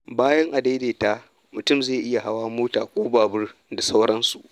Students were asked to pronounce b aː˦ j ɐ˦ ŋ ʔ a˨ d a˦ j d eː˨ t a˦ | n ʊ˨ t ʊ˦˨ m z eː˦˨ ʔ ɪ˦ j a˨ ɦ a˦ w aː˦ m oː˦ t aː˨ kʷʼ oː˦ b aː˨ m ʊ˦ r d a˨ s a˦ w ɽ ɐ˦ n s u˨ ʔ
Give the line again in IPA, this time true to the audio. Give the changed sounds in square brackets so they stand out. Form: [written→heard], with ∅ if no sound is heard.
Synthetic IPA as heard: b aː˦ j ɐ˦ ŋ ʔ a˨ d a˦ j d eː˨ t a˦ | [n→m] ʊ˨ t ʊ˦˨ m z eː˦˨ ʔ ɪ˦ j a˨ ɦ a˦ w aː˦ m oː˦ t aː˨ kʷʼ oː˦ b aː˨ [m→b] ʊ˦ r d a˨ s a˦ w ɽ ɐ˦ n s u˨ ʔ